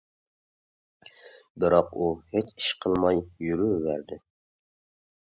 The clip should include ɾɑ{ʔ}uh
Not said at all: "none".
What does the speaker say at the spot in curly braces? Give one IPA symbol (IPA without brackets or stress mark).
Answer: q